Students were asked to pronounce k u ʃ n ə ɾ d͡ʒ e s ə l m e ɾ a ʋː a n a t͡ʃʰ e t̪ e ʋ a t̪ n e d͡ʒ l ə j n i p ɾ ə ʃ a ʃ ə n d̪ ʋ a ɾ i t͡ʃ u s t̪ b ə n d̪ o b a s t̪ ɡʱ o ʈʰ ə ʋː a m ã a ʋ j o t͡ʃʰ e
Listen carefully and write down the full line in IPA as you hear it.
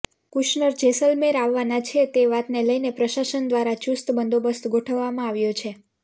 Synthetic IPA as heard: k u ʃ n ə ɾ d͡ʒ e s ə l m e ɾ a ʋː a n a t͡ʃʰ e t̪ e ʋ a t̪ n e l ə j n e p ɾ ə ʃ a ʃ ə n d̪ ʋ a ɾ a t͡ʃ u s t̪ b ə n d̪ o b ə s t̪ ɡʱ o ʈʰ ə ʋː a m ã a ʋ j o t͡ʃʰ e